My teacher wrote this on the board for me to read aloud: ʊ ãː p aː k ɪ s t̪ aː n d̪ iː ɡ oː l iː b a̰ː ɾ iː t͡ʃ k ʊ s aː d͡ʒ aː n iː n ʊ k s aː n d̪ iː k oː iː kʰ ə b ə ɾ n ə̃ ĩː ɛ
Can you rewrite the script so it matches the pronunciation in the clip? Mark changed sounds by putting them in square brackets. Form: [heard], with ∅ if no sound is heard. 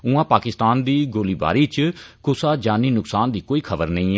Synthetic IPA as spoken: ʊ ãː p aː k ɪ s t̪ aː n d̪ iː ɡ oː l iː b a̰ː ɾ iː t͡ʃ k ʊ s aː d͡ʒ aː n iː n ʊ k s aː n d̪ iː k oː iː kʰ ə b ə ɾ n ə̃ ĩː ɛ